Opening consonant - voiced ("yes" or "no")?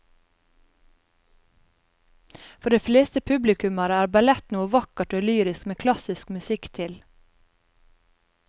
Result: no